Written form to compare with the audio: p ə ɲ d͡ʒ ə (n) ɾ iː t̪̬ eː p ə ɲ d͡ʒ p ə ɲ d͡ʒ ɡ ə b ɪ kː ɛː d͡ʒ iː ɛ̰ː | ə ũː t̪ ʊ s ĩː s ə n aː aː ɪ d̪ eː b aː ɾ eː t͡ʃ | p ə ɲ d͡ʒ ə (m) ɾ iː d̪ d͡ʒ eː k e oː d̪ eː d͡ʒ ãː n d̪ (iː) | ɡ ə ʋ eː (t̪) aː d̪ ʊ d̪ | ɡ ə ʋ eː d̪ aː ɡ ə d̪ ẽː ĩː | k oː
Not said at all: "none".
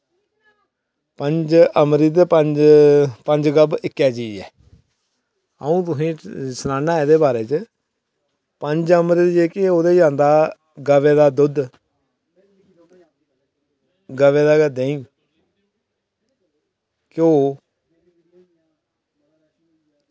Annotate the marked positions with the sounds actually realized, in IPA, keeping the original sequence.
m, m, aː, d̪

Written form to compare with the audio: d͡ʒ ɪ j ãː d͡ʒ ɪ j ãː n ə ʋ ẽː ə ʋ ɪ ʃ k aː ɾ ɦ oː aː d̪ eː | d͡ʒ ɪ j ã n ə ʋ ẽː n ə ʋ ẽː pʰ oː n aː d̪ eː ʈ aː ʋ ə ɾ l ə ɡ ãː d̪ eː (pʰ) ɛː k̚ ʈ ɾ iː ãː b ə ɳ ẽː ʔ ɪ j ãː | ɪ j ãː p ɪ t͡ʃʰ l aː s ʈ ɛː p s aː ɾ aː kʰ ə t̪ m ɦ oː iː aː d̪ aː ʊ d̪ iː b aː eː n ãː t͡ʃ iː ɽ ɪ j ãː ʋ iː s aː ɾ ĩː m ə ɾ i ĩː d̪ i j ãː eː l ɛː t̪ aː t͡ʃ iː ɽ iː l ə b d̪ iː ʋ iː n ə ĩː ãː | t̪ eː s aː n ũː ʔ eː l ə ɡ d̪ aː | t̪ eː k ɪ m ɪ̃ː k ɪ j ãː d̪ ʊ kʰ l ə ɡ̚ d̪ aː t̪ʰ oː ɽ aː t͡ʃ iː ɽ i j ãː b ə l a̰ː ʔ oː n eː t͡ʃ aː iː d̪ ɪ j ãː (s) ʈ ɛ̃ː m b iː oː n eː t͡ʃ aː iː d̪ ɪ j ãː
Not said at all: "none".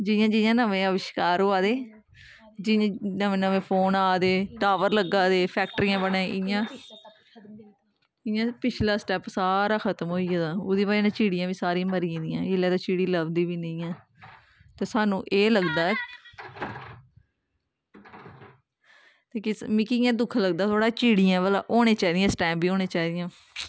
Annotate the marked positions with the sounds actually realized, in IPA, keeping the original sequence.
pʰ, s

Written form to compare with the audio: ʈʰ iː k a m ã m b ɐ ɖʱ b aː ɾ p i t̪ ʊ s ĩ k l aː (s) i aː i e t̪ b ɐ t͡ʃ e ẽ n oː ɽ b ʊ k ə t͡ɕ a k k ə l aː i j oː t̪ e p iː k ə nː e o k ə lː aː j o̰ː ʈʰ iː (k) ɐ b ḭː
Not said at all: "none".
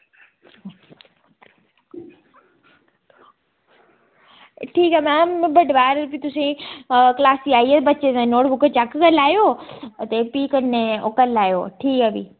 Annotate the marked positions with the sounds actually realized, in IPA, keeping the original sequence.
s, k

